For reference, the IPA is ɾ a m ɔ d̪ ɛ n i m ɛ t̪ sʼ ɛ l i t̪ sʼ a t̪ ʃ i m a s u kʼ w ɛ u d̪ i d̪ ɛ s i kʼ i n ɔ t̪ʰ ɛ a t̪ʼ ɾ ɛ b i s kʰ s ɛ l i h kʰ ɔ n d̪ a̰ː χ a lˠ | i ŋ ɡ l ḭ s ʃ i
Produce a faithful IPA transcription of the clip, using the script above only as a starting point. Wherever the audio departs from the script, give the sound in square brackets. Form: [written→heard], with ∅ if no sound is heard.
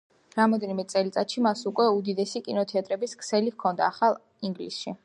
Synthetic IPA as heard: ɾ a m ɔ d̪ ɛ n i m ɛ t̪ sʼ ɛ l i t̪ sʼ a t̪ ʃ i m a s u kʼ w ɛ u d̪ i d̪ ɛ s i kʼ i n ɔ t̪ʰ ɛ a t̪ʼ ɾ ɛ b i s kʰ s ɛ l i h kʰ ɔ n d̪ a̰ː χ a lˠ | i ŋ ɡ l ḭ s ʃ i